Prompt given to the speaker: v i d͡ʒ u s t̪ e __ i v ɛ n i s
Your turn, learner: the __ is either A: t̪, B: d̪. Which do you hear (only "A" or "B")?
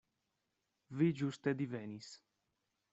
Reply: B